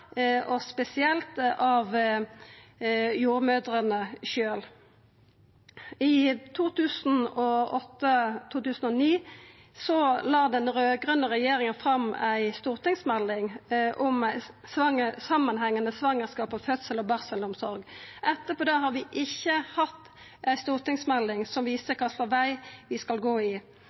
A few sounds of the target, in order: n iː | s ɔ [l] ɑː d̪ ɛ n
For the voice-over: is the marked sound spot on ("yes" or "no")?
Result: yes